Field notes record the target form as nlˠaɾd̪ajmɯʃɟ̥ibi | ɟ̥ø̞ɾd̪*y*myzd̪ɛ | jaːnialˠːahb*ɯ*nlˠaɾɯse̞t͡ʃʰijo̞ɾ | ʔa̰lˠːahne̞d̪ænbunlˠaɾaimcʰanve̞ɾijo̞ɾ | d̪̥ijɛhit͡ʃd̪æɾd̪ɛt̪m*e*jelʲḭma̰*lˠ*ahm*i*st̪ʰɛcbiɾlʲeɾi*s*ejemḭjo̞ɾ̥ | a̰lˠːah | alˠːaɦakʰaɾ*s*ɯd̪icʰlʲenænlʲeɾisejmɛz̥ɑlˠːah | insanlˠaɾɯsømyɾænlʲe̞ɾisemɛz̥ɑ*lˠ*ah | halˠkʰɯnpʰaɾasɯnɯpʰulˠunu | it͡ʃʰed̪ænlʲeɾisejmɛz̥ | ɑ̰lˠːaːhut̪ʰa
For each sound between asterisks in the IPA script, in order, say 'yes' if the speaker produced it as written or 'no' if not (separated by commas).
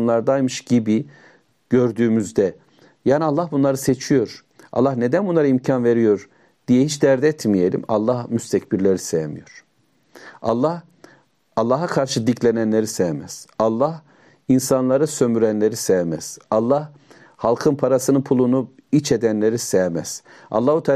no, no, no, no, no, yes, no, no